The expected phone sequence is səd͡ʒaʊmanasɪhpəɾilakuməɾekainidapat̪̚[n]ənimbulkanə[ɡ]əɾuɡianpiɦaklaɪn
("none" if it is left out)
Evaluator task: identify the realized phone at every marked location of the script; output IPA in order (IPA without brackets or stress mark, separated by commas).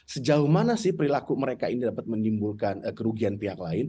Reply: m, k